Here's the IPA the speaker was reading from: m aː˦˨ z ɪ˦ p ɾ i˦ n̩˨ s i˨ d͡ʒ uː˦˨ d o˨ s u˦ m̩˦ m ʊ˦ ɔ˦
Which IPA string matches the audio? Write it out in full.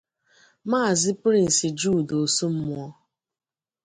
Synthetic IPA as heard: m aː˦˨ z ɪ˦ p ɾ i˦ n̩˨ s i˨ d͡ʒ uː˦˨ d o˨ s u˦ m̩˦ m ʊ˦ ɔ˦